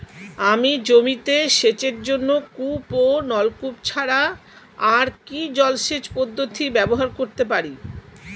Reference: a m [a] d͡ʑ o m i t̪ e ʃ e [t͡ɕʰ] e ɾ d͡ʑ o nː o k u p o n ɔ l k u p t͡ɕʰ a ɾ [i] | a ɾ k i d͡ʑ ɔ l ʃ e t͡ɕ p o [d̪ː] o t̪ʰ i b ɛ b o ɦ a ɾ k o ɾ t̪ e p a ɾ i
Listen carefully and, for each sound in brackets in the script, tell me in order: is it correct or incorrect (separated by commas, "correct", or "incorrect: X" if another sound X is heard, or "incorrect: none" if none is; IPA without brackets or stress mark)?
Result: incorrect: i, incorrect: t͡ɕ, incorrect: a, correct